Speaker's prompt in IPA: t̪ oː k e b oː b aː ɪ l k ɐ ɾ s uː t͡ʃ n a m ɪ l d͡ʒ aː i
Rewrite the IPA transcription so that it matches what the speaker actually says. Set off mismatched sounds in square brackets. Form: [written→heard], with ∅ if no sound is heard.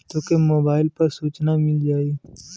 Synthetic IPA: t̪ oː k e [b→m] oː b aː ɪ l [k→p] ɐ ɾ s uː t͡ʃ n a m ɪ l d͡ʒ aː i